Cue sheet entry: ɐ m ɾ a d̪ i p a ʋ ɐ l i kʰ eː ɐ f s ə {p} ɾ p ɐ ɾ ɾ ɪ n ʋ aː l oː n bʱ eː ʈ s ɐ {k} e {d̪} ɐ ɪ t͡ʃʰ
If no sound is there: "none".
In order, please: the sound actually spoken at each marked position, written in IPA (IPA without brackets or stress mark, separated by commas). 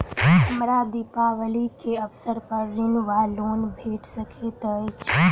none, kʰ, t̪